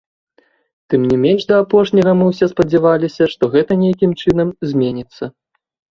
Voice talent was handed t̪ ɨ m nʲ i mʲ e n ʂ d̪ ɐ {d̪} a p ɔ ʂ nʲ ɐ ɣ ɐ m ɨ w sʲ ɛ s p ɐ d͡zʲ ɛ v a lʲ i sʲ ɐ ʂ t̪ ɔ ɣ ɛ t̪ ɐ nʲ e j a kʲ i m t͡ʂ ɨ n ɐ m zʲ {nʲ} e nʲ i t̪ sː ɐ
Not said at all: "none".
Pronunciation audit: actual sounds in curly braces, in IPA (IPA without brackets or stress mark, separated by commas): none, mʲ